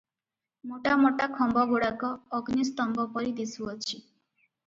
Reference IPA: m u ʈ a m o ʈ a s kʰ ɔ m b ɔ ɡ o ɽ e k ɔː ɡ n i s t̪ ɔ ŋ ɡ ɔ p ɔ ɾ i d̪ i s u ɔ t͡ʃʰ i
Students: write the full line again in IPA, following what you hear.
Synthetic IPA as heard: m o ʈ a m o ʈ a kʰ ɔ m b ɔ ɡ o ɽ a k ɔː ɡ n i s t̪ ɔ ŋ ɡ ɔ p ɔ ɾ i d̪ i s u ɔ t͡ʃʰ i